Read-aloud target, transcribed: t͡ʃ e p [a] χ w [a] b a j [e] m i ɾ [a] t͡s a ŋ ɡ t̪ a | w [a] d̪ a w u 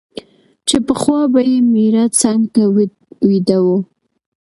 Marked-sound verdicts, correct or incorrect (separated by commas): incorrect, incorrect, correct, correct, incorrect